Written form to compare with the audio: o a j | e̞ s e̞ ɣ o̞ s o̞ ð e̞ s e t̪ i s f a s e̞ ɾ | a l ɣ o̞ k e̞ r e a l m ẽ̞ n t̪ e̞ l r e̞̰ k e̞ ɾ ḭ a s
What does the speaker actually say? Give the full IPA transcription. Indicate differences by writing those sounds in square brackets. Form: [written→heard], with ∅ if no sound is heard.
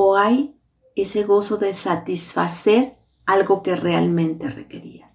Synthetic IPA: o a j | e̞ s e̞ ɣ o̞ s o̞ ð e̞ s [e→a] t̪ i s f a s e̞ ɾ | a l ɣ o̞ k e̞ r e a l m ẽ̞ n t̪ e̞ [l→∅] r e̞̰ k e̞ ɾ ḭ a s